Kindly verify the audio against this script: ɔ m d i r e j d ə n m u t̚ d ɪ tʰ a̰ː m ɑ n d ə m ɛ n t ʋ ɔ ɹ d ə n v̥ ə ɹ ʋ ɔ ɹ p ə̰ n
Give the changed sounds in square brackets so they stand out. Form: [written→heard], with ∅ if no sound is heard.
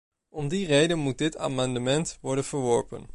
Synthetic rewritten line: ɔ m d i r e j d ə n m u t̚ d ɪ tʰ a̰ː m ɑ n d ə m ɛ n t ʋ ɔ ɹ d ə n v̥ ə ɹ ʋ ɔ ɹ p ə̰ n